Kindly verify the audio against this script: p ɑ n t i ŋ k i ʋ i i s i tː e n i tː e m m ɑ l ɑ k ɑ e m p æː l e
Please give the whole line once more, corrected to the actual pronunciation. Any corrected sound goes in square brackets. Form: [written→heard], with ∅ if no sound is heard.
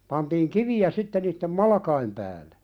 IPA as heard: p ɑ n t [i→iː] ŋ k i ʋ i [i→æ] s i tː e n [i→iː] tː e m m ɑ l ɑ k ɑ [e→i] m p æː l e